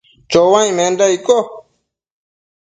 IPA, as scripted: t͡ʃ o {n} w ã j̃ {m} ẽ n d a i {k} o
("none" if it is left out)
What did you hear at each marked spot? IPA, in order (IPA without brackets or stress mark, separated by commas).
none, m, k